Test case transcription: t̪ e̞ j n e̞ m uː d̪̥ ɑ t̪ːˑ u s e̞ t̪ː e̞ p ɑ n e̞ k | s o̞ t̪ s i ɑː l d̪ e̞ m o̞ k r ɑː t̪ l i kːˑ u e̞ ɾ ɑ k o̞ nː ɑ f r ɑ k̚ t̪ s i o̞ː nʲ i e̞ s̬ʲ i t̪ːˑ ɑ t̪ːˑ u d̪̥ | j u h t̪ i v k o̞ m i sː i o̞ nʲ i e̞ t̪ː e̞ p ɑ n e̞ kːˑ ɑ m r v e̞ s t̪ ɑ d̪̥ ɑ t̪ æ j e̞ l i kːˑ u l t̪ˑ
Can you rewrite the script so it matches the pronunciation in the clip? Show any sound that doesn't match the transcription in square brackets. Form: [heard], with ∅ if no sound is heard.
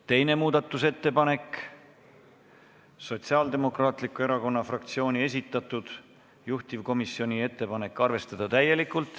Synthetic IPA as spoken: t̪ e̞ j n e̞ m uː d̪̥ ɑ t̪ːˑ u s e̞ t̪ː e̞ p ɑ n e̞ k | s o̞ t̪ s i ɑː l d̪ e̞ m o̞ k r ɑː t̪ l i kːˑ u e̞ ɾ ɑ k o̞ nː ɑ f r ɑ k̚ t̪ s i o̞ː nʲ i e̞ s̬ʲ i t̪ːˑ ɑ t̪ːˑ u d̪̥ | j u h t̪ i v k o̞ m i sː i o̞ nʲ i e̞ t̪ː e̞ p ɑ n e̞ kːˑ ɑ [∅] r v e̞ s t̪ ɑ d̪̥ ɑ t̪ æ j e̞ l i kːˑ u l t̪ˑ